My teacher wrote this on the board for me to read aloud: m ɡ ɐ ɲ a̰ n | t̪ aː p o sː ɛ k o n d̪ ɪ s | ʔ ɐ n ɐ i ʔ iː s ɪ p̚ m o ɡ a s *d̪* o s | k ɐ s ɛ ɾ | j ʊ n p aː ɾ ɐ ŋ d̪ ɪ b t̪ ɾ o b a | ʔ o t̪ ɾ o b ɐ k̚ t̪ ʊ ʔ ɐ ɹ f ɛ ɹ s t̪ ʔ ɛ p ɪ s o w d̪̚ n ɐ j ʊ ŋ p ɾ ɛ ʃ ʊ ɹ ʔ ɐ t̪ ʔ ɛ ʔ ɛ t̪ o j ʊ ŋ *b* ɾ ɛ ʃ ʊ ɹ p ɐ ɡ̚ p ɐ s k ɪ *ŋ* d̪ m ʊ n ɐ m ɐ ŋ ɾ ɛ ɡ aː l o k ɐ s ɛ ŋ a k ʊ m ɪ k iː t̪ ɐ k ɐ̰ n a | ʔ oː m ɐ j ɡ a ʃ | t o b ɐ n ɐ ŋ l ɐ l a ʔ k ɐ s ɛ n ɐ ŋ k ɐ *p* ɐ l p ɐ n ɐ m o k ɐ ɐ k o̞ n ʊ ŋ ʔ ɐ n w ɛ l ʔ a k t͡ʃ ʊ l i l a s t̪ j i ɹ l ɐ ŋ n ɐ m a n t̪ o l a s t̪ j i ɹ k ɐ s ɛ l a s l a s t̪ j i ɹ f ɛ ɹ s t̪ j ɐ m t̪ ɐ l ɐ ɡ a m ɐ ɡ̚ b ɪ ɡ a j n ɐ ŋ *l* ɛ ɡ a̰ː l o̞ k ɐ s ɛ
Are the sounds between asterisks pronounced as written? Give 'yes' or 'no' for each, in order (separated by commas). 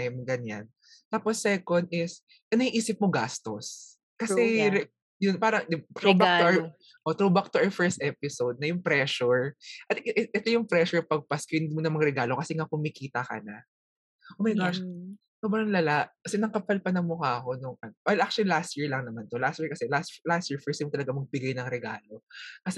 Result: no, no, no, yes, no